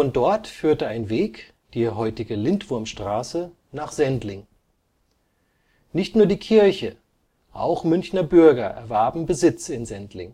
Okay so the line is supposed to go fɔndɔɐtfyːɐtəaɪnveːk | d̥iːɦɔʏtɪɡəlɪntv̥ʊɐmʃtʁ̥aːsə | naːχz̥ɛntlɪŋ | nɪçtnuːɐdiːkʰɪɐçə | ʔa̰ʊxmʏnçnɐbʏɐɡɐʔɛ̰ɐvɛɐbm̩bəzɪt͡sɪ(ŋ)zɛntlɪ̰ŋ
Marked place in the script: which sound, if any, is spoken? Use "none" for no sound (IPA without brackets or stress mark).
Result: n